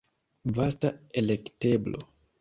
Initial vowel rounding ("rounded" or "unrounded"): unrounded